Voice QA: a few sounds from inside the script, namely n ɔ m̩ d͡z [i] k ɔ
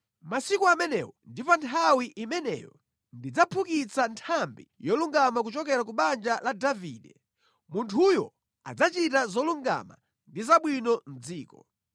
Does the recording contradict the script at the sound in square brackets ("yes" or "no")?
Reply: yes